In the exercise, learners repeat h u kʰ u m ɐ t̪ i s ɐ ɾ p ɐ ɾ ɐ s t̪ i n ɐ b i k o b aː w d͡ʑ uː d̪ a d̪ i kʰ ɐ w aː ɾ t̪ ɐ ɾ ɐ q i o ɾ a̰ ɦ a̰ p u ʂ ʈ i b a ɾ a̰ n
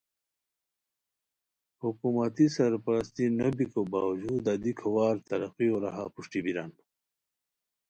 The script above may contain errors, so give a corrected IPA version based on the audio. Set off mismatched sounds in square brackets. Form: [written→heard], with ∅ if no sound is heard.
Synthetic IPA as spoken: h u [kʰ→k] u m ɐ t̪ i s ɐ ɾ p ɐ ɾ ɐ s t̪ i n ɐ b i k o b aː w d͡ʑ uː d̪ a d̪ i kʰ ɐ w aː ɾ t̪ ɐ ɾ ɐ q i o ɾ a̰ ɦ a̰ p u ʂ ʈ i b [a→i] ɾ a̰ n

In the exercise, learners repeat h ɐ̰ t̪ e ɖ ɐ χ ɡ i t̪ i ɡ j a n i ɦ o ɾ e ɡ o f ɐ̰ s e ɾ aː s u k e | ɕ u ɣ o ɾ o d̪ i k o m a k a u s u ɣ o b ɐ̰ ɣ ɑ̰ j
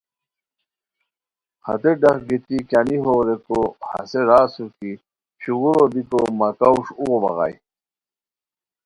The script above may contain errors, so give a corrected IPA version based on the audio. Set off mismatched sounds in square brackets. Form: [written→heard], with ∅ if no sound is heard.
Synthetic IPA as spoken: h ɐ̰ t̪ e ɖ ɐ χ ɡ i t̪ i [ɡ→k] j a n i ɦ o ɾ e [ɡ→k] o [f→h] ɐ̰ s e ɾ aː s u k [e→i] | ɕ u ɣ [o→u] ɾ o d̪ i k o m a k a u [s→ʂ] u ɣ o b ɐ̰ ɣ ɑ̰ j

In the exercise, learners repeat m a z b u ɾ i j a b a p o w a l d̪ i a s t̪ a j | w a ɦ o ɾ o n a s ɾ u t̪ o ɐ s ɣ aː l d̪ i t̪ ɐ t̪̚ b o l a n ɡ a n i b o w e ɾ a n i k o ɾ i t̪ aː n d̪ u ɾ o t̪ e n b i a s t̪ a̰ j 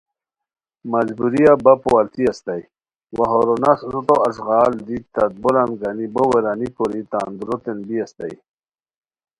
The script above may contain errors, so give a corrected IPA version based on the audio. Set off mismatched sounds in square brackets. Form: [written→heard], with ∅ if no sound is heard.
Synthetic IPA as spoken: m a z b u ɾ i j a b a p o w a l [d̪→t̪] i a s t̪ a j | w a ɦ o ɾ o n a s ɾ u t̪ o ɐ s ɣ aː l d̪ i t̪ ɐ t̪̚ b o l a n ɡ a n i b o w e ɾ a n i k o ɾ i t̪ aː n d̪ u ɾ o t̪ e n b i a s t̪ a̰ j

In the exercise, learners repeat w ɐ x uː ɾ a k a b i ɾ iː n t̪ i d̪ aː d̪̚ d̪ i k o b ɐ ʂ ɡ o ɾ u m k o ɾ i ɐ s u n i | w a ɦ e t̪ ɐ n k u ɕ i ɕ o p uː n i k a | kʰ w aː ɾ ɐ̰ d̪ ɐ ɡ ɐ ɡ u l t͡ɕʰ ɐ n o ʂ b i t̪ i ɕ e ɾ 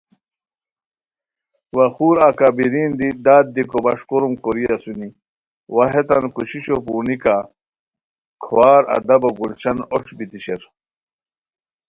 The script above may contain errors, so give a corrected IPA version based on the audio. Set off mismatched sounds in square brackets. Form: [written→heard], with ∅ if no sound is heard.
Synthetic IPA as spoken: w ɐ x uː ɾ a k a b i ɾ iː n [t̪→d̪] i d̪ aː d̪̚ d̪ i k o b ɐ ʂ [ɡ→k] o ɾ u m k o ɾ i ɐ s u n i | w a ɦ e t̪ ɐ n k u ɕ i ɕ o p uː n i k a | kʰ w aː ɾ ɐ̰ d̪ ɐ [ɡ→b] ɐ ɡ u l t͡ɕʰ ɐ n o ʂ b i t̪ i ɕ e ɾ

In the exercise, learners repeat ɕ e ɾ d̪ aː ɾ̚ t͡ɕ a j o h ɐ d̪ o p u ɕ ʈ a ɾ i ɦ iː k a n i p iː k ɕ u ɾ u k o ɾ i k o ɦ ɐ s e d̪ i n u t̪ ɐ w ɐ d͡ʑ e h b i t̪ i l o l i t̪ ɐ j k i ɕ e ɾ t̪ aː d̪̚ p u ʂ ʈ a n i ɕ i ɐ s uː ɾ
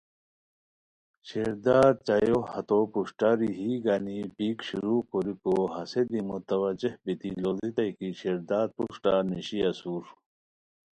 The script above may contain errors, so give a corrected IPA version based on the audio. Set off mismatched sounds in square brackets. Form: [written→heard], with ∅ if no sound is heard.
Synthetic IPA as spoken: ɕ e ɾ d̪ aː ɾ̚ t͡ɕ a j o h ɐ [d̪→t̪] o p u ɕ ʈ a ɾ i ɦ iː [k→ɡ] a n i p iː k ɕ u ɾ u k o ɾ i k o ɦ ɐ s e d̪ i [n→m] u t̪ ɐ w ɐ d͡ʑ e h b i t̪ i l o l i t̪ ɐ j k i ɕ e ɾ [t̪→d̪] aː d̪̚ p u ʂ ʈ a n i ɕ i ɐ s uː ɾ

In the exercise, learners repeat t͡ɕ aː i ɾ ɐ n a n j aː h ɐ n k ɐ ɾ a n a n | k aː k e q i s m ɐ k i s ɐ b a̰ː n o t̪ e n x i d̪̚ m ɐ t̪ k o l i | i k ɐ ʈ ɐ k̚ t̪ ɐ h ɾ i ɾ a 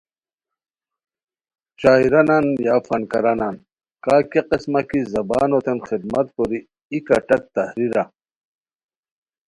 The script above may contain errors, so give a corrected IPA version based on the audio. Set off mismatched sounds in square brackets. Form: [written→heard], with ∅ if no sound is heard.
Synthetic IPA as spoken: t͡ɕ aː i ɾ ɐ n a n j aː [h→f] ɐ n k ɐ ɾ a n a n | k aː k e q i s m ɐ k i [s→z] ɐ b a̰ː n o t̪ e n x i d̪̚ m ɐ t̪ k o [l→ɾ] i | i k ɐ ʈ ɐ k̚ t̪ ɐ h ɾ i ɾ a

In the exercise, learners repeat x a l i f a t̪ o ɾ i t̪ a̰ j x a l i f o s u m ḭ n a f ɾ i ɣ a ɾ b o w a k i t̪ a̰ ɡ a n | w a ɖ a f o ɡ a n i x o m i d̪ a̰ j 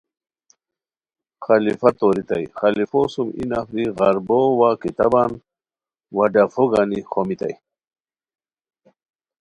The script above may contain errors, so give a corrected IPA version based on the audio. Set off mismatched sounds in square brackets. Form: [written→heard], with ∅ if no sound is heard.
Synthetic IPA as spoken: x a l i f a t̪ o ɾ i t̪ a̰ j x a l i f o s u m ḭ n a f ɾ i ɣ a ɾ b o w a k i t̪ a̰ [ɡ→b] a n | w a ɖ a f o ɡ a n i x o m i [d̪→t̪] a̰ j

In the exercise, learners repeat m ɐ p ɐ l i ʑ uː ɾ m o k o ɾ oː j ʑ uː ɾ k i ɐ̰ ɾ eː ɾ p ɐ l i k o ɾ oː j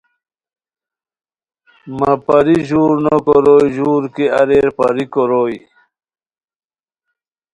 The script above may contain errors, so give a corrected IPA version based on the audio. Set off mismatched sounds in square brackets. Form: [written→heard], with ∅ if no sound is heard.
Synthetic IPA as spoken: m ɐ p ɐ [l→ɾ] i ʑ uː ɾ [m→n] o k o ɾ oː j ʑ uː ɾ k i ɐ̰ ɾ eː ɾ p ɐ [l→ɾ] i k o ɾ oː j

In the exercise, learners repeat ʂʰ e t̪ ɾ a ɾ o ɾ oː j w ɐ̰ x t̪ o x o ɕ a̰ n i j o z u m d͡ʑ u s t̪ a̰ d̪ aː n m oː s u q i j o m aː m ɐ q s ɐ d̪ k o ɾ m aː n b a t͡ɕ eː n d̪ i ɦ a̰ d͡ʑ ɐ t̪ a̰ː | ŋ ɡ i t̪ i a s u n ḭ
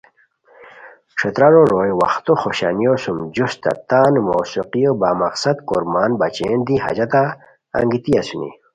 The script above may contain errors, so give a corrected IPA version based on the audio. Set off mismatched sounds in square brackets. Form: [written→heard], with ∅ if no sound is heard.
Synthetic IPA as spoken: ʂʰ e t̪ ɾ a ɾ o ɾ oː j w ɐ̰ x t̪ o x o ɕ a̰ n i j o [z→s] u m d͡ʑ u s t̪ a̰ [d̪→t̪] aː n m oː s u q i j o [m→b] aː m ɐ q s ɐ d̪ k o ɾ m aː n b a t͡ɕ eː n d̪ i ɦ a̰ d͡ʑ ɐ t̪ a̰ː | ŋ ɡ i t̪ i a s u n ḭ

